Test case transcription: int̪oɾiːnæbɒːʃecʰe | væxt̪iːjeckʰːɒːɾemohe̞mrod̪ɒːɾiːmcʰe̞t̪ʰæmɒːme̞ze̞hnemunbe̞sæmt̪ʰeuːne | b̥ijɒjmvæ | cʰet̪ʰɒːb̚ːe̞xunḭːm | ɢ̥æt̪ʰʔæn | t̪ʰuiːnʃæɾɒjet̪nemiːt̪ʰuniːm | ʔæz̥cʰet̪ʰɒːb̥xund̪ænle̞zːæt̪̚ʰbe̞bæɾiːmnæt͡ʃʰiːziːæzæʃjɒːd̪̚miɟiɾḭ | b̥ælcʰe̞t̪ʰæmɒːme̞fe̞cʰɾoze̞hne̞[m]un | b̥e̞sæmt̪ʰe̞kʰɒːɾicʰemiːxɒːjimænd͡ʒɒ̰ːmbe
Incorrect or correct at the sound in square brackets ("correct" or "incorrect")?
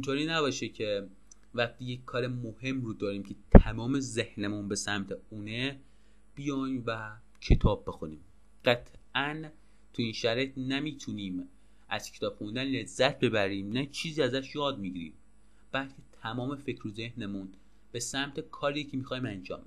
correct